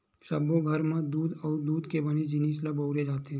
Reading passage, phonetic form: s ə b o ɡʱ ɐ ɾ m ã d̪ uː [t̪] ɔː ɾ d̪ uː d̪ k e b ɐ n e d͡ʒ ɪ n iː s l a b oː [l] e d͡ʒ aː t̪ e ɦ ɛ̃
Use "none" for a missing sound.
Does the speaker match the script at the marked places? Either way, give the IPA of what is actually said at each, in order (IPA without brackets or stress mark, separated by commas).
d̪, ɾ